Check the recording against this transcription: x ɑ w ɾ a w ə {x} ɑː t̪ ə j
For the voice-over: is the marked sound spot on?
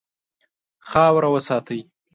no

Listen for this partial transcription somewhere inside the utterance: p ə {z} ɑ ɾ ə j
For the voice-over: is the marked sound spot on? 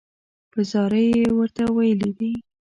yes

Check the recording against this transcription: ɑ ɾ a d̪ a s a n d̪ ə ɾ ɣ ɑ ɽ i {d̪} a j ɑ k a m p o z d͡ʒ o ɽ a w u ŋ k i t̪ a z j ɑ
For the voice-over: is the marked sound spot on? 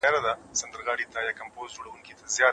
no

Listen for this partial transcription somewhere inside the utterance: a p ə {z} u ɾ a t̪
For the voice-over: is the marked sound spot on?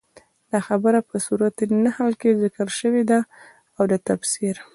no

